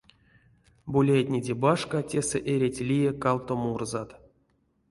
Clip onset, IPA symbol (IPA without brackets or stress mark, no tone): b